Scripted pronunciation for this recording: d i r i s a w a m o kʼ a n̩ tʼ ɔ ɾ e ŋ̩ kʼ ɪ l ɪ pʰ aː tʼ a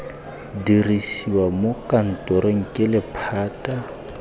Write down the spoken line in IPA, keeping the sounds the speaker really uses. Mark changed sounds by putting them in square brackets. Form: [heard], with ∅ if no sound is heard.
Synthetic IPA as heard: d i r i s [i] w a m o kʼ a n̩ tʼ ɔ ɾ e ŋ̩ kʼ ɪ l ɪ pʰ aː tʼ a